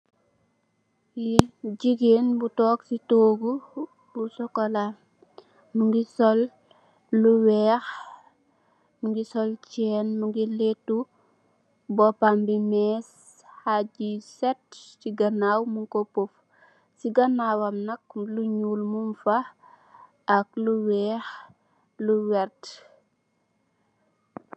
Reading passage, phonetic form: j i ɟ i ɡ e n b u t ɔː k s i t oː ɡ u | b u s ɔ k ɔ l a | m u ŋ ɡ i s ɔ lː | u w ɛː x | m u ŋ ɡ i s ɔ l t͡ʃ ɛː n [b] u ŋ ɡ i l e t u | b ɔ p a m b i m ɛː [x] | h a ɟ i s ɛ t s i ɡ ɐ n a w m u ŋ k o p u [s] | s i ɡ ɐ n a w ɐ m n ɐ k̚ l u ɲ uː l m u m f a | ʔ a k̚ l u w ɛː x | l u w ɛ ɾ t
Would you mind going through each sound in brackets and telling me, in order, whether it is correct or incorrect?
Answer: incorrect: m, incorrect: s, incorrect: f

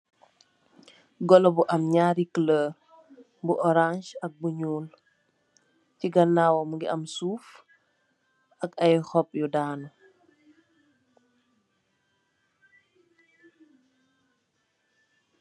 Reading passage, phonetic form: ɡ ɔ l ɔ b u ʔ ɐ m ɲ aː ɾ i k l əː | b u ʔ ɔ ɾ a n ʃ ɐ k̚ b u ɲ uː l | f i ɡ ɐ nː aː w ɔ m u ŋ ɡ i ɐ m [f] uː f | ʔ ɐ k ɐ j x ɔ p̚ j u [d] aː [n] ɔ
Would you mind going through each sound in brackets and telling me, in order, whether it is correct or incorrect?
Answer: incorrect: s, correct, correct

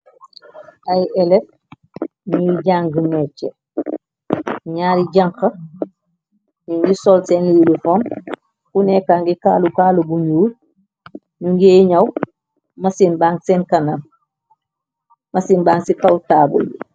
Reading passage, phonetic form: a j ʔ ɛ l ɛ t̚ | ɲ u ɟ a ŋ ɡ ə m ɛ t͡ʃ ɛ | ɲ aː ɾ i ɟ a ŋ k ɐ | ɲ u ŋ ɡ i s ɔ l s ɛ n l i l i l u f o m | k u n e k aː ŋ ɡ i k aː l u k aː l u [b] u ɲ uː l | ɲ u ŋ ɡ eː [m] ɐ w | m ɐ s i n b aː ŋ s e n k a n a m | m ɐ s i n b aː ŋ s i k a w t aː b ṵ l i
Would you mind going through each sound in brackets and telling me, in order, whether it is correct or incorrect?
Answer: correct, incorrect: ɲ

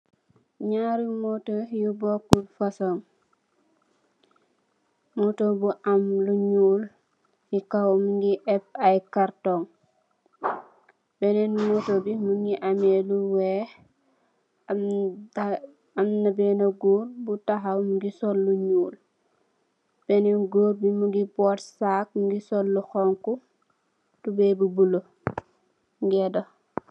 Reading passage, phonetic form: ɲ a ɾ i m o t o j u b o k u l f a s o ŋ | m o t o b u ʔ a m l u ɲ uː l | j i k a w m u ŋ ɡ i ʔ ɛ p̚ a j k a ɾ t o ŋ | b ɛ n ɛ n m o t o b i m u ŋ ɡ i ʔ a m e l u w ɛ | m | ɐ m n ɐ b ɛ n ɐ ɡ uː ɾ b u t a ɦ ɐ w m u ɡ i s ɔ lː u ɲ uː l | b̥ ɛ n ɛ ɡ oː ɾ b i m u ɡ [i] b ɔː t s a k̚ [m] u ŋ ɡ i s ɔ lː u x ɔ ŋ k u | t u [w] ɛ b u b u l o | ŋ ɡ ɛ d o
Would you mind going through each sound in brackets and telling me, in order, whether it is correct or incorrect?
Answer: correct, correct, incorrect: b

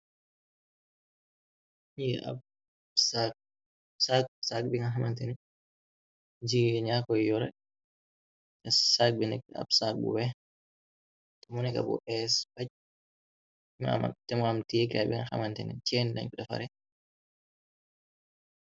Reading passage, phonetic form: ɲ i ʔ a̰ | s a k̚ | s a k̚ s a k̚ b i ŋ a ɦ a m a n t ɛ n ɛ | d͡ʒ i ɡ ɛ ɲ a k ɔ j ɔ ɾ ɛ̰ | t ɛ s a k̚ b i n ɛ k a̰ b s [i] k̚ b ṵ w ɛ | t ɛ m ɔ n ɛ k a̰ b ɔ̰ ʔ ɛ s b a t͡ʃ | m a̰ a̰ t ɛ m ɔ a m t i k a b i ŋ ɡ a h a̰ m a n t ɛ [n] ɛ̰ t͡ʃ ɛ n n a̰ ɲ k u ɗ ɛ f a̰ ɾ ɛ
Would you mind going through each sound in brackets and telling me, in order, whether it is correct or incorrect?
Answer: incorrect: a, correct

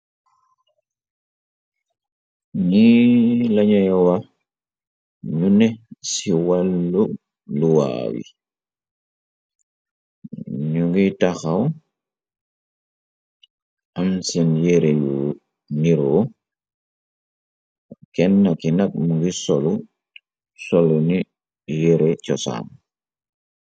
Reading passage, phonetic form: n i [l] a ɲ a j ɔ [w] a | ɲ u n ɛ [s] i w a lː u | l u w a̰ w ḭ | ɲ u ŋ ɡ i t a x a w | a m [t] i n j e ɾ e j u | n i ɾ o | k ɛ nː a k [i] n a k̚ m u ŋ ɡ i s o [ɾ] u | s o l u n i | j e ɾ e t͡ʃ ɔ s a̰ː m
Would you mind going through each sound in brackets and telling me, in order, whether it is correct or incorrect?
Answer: correct, correct, correct, incorrect: s, correct, incorrect: l

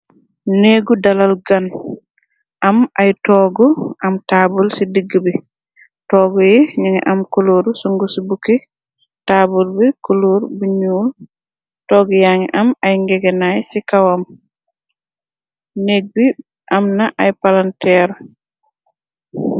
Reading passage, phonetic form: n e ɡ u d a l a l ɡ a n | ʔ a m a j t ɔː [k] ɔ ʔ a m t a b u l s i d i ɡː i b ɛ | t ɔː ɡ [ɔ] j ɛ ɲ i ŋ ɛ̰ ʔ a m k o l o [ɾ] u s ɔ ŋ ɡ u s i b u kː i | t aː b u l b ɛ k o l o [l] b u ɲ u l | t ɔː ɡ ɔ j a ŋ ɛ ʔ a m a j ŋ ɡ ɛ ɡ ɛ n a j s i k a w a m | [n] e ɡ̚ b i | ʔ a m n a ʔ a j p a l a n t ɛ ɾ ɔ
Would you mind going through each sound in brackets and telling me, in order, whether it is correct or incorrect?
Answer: incorrect: ɡ, correct, correct, incorrect: ɾ, correct

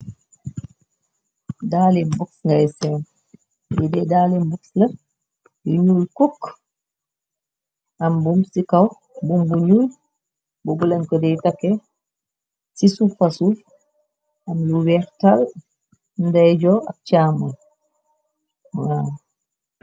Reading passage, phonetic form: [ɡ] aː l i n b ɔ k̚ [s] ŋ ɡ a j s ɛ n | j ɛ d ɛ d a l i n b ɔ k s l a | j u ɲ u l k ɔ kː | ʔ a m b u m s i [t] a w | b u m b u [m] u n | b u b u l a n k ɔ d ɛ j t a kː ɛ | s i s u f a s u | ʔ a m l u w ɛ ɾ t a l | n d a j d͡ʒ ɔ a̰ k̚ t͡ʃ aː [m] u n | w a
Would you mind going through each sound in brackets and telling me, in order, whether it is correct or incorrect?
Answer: incorrect: d, correct, incorrect: k, incorrect: ɲ, correct

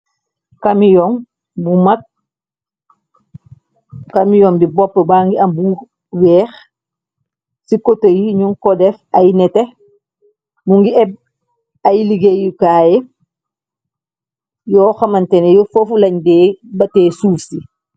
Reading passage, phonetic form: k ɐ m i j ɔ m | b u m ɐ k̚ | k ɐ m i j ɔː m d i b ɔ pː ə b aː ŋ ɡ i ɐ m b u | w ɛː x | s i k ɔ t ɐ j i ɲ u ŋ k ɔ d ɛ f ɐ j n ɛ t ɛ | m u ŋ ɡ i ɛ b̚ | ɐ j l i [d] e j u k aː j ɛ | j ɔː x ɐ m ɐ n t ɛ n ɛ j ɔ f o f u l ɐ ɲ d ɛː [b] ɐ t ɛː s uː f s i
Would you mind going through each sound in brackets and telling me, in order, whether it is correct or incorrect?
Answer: incorrect: ɡ, correct

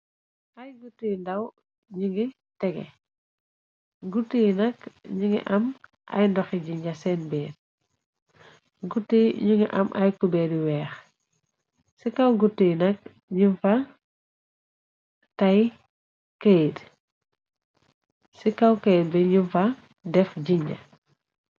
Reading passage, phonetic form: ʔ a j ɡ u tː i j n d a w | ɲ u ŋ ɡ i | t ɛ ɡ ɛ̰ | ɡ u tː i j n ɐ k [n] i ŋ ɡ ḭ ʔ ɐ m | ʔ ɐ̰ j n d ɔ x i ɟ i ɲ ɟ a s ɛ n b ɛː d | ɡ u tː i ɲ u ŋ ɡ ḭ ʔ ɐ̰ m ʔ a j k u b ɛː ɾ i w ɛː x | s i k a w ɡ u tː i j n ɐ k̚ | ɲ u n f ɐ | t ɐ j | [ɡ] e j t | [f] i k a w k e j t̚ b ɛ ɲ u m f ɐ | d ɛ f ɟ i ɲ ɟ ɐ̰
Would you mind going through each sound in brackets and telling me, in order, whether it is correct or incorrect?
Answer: incorrect: ɲ, incorrect: k, incorrect: s

